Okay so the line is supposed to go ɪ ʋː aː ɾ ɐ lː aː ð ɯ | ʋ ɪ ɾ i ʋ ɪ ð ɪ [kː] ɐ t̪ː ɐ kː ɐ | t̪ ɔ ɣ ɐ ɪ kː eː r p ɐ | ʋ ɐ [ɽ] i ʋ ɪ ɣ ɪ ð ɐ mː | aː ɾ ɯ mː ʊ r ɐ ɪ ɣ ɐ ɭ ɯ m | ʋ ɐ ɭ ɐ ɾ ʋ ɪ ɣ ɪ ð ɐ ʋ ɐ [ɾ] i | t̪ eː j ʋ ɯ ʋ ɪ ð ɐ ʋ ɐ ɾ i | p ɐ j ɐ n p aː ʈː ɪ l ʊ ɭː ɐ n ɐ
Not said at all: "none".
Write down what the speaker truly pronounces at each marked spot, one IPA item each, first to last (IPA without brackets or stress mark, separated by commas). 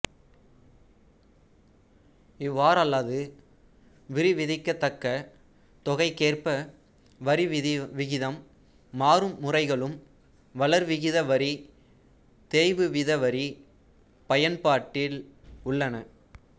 kː, ɾ, ɾ